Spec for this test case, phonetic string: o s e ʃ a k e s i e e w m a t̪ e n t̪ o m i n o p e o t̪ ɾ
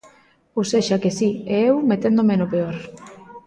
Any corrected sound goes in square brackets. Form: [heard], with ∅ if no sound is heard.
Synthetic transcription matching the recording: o s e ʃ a k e s i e e w m [e] t̪ e n [d̪] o m [e] n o p e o [∅] ɾ